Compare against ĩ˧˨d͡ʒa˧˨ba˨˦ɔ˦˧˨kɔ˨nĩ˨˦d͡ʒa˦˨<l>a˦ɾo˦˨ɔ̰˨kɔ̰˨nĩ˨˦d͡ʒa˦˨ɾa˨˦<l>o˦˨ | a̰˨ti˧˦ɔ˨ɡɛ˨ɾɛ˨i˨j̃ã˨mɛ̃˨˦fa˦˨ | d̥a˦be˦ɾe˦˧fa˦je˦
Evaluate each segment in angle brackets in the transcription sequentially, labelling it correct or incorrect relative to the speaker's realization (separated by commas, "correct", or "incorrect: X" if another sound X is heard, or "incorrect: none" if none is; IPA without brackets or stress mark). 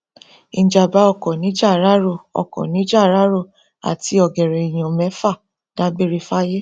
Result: incorrect: ɾ, incorrect: ɾ